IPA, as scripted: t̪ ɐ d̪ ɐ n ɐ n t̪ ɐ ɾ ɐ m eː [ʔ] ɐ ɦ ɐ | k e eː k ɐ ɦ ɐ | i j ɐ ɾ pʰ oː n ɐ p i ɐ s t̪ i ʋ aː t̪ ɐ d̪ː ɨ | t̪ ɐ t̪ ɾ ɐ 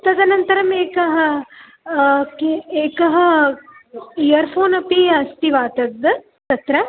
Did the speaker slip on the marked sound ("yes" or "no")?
yes